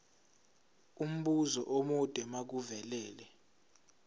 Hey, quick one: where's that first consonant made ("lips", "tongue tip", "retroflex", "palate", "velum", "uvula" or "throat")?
lips